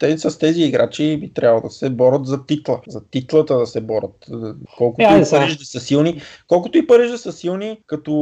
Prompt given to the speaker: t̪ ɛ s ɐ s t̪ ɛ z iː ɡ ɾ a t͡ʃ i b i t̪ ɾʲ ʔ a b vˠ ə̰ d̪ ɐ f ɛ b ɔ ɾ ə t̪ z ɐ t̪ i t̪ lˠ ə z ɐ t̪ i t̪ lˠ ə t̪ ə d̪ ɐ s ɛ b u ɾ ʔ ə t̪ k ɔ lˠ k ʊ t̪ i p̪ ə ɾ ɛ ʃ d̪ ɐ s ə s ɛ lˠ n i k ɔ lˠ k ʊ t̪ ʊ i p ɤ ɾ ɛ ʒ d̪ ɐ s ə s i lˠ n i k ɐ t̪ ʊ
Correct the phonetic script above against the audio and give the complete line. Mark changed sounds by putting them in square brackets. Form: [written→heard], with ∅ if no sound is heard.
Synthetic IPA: t̪ ɛ s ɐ s t̪ ɛ z iː ɡ ɾ a t͡ʃ i b i t̪ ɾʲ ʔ a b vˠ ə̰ d̪ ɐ [f→s] ɛ b ɔ ɾ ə t̪ z ɐ t̪ i t̪ lˠ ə z ɐ t̪ i t̪ lˠ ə t̪ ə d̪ ɐ s ɛ b [u→ɔ] ɾ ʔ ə t̪ k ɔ lˠ k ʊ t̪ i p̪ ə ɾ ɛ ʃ d̪ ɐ s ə s [ɛ→i] lˠ n i k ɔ lˠ k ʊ t̪ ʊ i p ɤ ɾ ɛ ʒ d̪ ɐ s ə s i lˠ n i k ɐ t̪ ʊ